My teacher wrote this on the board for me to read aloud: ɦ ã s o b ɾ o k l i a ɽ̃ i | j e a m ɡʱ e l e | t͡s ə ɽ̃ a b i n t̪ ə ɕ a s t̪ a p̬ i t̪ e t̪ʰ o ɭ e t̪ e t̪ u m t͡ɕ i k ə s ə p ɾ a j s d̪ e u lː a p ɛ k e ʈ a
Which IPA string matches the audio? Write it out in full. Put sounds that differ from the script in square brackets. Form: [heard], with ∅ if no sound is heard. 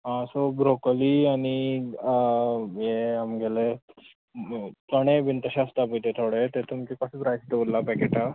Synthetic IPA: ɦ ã s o b ɾ o k l i a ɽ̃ i | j e a m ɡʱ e l e | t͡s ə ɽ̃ [e] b i n t̪ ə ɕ a s t̪ a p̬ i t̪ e t̪ʰ o [ɽ] e t̪ e t̪ u m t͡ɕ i k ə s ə p ɾ a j s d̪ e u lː a p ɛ k e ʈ a